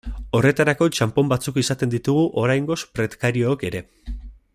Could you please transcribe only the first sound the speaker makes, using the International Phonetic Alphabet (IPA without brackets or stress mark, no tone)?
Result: o̞